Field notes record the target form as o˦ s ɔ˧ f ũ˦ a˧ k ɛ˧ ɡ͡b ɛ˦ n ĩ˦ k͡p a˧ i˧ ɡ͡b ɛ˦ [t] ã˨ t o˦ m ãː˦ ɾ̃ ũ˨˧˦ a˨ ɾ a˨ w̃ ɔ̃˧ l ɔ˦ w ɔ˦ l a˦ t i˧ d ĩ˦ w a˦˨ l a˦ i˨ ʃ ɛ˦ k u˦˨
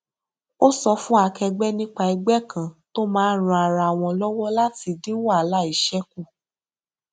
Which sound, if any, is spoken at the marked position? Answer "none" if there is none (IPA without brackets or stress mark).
k